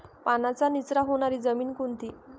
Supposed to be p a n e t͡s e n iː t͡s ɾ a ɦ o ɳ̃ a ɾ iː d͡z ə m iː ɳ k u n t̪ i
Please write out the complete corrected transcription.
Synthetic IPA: p a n a t͡s a n i t͡s ɾ a ɦ o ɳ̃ a ɾ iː d͡z ə m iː n k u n t̪ i

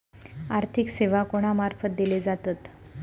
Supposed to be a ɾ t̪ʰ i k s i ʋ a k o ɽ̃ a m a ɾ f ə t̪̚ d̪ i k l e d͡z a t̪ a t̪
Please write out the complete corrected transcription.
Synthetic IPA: a ɾ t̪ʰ i k s e ʋ a k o ɽ̃ a m a ɾ f ə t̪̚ d̪ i l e d͡z a t̪ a t̪

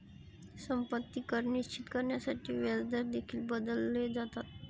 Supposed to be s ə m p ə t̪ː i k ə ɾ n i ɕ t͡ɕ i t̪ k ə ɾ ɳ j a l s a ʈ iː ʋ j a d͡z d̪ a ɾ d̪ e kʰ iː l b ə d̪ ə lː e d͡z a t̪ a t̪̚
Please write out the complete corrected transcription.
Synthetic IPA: s ə m p ə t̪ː i k ə ɾ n i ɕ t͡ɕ i t̪ k ə ɾ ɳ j a s a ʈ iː ʋ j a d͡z d̪ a ɾ d̪ e kʰ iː l b ə d̪ ə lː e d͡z a t̪ a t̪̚

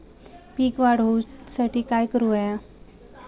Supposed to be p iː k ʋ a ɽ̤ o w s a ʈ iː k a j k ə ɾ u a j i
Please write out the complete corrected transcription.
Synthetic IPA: p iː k ʋ a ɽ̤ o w s a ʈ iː k a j k ə ɾ u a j a

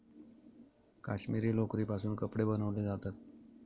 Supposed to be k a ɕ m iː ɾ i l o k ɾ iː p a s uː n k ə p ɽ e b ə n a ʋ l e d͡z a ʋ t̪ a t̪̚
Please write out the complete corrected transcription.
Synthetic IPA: k a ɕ m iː ɾ iː l o k ɾ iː p a s uː n k ə p ɽ e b ə n ə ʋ l e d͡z a t̪ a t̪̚

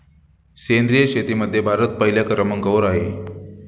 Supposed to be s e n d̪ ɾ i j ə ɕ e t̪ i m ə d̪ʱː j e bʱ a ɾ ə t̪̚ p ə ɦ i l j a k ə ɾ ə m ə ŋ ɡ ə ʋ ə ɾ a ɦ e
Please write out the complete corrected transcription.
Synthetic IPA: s e n d̪ ɾ i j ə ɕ e t̪ i m ə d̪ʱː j e bʱ a ɾ ə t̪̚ p ə ɦ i l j a k ə ɾ ə m ə ŋ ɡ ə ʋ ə ɾ a ɦ e

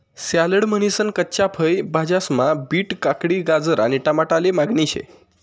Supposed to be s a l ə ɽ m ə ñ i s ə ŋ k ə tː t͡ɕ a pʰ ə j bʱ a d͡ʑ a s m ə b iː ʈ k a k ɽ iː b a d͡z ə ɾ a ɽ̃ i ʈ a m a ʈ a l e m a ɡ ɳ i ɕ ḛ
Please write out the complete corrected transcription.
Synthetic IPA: s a l ə ɽ m ə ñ i s ə n k ə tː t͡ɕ a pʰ ə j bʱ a d͡ʑ a s m a b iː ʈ k a k ɽ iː ɡ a d͡z ə ɾ a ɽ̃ i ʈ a m a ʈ a l e m a ɡ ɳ i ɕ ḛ

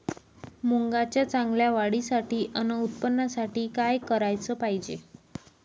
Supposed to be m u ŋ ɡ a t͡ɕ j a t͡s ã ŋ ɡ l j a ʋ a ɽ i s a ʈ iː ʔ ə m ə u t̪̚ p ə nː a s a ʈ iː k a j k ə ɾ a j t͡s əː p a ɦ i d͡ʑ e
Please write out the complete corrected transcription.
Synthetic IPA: m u ŋ ɡ a t͡ɕ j a t͡s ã ŋ ɡ l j a ʋ a ɽ i s a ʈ iː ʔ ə n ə u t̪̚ p ə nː a s a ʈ iː k a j k ə ɾ a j t͡s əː p a ɦ i d͡ʑ e

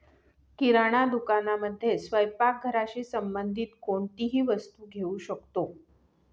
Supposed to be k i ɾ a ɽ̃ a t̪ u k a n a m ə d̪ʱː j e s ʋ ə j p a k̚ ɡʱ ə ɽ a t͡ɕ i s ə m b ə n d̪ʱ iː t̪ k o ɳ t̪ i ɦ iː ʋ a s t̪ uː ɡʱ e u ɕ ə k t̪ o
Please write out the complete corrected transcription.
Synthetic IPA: k i ɾ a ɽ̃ a d̪ u k a n a m ə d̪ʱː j e s ʋ ə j p a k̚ ɡʱ ə ɾ a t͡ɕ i s ə m b ə n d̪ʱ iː t̪ k o ɳ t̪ i ɦ iː ʋ ə s t̪ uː ɡʱ e u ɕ ə k t̪ o

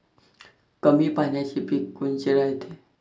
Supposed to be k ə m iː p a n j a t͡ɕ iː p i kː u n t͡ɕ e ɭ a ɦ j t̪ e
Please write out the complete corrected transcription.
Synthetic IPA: k ə m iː p a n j a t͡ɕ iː p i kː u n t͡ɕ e ɾ a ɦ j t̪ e

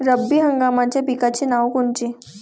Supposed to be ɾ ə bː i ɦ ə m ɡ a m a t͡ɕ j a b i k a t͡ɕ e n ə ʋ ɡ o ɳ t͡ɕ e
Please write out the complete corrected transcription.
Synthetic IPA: ɾ ə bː i ɦ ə ŋ ɡ a m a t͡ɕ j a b i k a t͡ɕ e n a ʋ k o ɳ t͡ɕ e

